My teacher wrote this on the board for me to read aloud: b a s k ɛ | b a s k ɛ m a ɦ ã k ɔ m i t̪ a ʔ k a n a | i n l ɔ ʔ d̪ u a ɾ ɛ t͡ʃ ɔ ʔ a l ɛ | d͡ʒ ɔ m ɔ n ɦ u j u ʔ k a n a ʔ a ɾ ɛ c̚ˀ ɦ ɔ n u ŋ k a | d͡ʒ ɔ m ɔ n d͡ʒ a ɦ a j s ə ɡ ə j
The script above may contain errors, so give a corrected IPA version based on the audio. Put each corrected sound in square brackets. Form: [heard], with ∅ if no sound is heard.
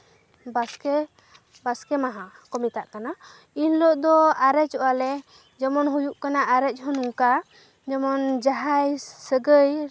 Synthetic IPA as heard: b a s k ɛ | b a s k ɛ m a ɦ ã k ɔ m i t̪ a ʔ k a n a | i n l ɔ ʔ d̪ [ɔ] a ɾ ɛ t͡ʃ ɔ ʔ a l ɛ | d͡ʒ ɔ m ɔ n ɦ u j u ʔ k a n a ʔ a ɾ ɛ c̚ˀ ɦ ɔ n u ŋ k a | d͡ʒ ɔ m ɔ n d͡ʒ a ɦ a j s ə ɡ ə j

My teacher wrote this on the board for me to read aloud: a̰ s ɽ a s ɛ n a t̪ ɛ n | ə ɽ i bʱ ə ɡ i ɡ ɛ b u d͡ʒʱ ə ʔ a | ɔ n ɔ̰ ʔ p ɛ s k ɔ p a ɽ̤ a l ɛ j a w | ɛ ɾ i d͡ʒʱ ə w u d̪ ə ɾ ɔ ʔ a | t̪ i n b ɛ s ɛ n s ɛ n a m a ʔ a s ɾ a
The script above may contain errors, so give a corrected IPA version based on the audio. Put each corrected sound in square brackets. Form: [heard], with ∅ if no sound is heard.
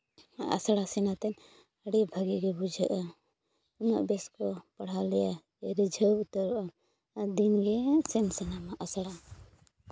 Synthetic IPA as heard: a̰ s ɽ a s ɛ n a t̪ ɛ n | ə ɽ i bʱ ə ɡ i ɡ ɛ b u d͡ʒʱ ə ʔ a | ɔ n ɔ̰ ʔ [b] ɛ s k ɔ p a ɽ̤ a l ɛ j a [∅] | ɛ ɾ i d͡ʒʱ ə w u [t̪] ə ɾ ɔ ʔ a | [d̪] i n [ɡ] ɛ s ɛ n s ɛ n a m a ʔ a s [ɽ] a

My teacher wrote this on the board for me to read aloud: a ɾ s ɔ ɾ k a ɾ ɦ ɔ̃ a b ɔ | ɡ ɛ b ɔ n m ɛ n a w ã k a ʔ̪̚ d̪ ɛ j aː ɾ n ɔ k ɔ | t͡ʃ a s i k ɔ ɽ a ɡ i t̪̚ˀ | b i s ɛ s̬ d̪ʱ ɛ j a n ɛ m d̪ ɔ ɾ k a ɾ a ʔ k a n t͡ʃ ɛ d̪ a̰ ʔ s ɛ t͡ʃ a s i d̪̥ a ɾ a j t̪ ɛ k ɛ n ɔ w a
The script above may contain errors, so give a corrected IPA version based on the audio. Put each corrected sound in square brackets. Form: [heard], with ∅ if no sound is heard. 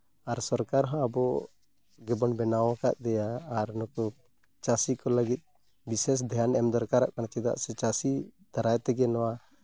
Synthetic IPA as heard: a ɾ s ɔ ɾ k a ɾ ɦ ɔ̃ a b ɔ | ɡ ɛ b ɔ n [b] ɛ n a w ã k a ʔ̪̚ d̪ ɛ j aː ɾ n ɔ k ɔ | t͡ʃ a s i k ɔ [l] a ɡ i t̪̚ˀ | b i s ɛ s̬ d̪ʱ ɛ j a n ɛ m d̪ ɔ ɾ k a ɾ a ʔ k a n t͡ʃ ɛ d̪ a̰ ʔ s ɛ t͡ʃ a s i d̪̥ a ɾ a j t̪ ɛ [ɡ] ɛ n ɔ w a

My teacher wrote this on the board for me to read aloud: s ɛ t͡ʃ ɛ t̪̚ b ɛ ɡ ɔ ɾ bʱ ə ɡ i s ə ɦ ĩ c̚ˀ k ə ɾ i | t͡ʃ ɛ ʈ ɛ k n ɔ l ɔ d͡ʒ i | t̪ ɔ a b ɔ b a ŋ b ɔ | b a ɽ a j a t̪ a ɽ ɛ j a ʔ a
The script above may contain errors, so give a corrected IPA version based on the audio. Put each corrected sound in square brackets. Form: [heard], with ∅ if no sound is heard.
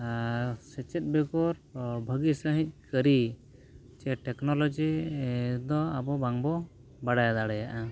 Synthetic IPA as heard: s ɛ t͡ʃ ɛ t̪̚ b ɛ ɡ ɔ ɾ bʱ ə ɡ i s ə ɦ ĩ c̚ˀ k ə ɾ i | t͡ʃ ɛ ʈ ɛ k n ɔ l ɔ d͡ʒ i | [d̪] ɔ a b ɔ b a ŋ b ɔ | b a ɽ a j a [d̪] a ɽ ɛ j a ʔ a

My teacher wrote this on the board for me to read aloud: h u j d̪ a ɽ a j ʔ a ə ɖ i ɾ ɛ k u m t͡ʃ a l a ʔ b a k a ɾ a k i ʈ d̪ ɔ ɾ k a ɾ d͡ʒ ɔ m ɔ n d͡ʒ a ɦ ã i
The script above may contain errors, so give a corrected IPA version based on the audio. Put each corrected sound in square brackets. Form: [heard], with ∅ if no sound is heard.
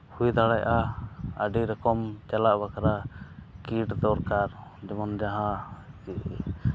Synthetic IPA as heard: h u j d̪ a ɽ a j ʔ a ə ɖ i ɾ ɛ k [ɔ] m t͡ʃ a l a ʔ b a k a ɾ a k i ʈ d̪ ɔ ɾ k a ɾ d͡ʒ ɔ m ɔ n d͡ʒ a ɦ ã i

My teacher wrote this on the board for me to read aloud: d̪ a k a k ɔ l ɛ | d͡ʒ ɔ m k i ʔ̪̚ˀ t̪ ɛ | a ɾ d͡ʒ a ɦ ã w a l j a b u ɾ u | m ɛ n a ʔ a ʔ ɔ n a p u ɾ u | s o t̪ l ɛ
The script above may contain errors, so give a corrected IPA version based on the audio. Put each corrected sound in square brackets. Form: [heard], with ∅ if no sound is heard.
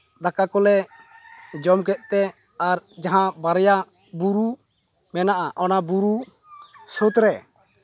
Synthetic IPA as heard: d̪ a k a k ɔ l ɛ | d͡ʒ ɔ m k [ɛ] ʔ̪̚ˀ t̪ ɛ | a ɾ d͡ʒ a ɦ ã [b] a [ɾ] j a b u ɾ u | m ɛ n a ʔ a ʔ ɔ n a [b] u ɾ u | s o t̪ [ɾ] ɛ

